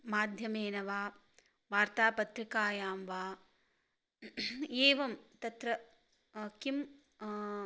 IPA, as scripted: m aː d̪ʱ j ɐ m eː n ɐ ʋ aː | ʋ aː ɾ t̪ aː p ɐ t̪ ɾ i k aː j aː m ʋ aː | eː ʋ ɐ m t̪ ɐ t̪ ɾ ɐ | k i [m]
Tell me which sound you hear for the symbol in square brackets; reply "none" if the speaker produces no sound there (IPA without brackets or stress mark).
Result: m